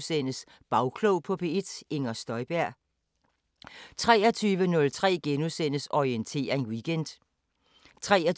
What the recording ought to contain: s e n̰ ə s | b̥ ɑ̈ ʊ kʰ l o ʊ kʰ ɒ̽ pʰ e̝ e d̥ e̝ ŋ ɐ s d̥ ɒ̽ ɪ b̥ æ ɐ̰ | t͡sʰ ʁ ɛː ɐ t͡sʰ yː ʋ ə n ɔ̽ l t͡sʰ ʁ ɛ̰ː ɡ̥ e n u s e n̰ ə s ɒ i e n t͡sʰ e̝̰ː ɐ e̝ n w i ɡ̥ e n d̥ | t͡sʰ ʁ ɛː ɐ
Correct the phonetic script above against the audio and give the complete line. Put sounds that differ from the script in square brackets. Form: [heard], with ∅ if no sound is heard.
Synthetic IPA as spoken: s e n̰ ə s | b̥ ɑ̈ ʊ kʰ l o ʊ [pʰ] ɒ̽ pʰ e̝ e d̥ e̝ ŋ ɐ s d̥ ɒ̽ ɪ b̥ æ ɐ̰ | t͡sʰ ʁ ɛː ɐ t͡sʰ yː ʋ ə n ɔ̽ l t͡sʰ ʁ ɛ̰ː ɡ̥ e n u s e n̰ ə s ɒ i e n t͡sʰ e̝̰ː ɐ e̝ n w i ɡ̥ e n d̥ | t͡sʰ ʁ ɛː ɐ